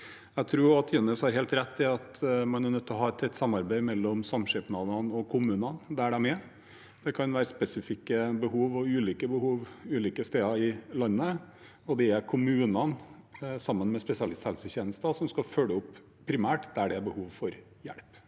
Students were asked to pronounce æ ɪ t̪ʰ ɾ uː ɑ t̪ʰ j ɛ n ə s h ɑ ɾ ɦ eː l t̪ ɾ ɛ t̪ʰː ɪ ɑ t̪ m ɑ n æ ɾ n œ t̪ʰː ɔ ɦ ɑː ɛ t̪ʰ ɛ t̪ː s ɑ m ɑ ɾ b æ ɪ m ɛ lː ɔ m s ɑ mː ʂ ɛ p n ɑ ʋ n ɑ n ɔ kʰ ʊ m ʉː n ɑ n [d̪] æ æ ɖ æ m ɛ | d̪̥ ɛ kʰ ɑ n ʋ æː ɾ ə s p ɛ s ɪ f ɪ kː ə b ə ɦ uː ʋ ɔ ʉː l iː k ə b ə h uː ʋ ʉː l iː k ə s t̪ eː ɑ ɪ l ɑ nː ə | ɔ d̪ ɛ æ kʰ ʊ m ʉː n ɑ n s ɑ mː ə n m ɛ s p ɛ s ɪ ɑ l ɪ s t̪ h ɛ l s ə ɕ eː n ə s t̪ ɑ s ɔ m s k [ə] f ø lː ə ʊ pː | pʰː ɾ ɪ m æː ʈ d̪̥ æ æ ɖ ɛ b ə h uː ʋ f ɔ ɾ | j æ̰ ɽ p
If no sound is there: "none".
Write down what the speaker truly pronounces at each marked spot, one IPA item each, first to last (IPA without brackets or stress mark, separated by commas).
d̪, ɑ